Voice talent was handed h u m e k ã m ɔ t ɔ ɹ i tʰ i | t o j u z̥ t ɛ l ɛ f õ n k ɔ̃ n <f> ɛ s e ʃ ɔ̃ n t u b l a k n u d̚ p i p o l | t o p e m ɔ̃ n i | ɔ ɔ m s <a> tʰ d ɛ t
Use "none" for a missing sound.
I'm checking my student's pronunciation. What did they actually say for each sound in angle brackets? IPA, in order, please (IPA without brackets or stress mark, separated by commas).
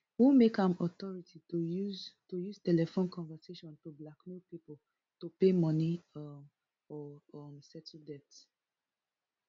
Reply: v, ɛ